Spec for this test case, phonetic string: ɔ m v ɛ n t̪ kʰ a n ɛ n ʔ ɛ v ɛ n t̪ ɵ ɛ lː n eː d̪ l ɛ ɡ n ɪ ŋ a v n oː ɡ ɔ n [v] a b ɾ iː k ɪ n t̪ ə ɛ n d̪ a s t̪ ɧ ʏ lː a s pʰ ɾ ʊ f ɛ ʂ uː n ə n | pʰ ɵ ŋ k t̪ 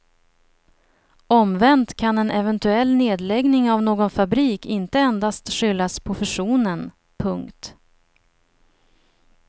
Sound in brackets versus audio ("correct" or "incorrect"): incorrect